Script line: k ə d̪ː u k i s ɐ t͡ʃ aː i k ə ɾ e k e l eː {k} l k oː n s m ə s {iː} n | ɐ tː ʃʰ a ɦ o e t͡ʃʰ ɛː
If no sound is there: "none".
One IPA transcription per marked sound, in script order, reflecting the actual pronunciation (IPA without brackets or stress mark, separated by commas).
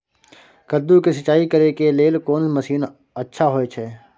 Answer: none, iː